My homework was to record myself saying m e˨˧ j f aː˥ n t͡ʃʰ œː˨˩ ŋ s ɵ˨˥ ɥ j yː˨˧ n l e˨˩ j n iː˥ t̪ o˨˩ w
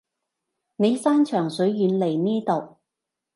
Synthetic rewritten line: n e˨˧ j s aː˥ n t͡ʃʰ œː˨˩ ŋ s ɵ˨˥ ɥ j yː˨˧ n l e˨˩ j n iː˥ t̪ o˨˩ w